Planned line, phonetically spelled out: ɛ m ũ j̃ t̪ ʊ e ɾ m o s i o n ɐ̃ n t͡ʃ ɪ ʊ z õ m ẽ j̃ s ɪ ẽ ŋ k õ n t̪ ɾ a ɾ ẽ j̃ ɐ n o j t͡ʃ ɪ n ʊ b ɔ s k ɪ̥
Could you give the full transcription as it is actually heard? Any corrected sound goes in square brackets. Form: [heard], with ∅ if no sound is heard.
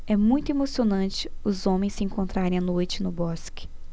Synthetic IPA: ɛ m ũ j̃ t̪ ʊ e [∅] m o s i o n ɐ̃ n t͡ʃ ɪ ʊ z õ m ẽ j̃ s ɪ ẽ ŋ k õ n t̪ ɾ a ɾ ẽ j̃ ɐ n o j t͡ʃ ɪ n ʊ b ɔ s k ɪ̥